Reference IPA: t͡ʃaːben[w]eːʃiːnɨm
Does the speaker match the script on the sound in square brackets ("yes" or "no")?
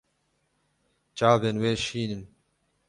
yes